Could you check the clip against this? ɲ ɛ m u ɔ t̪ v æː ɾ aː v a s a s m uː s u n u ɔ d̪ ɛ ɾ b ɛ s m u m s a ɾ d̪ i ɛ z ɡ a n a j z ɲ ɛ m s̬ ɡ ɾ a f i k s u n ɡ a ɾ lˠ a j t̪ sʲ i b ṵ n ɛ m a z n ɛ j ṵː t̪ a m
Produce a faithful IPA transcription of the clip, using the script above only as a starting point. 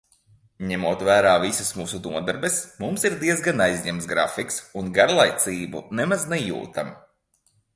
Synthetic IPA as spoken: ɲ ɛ m u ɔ t̪ v æː ɾ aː v i s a s m uː s u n u ɔ d̪ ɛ ɾ b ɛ s m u m s i ɾ d̪ i ɛ z ɡ a n a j z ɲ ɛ m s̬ ɡ ɾ a f i k s u n ɡ a ɾ lˠ a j t̪ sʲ iː b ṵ n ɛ m a z n ɛ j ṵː t̪ a m